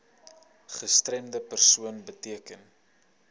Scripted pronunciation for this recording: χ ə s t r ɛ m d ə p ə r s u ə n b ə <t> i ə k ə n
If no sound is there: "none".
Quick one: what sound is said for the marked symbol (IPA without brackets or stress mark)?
t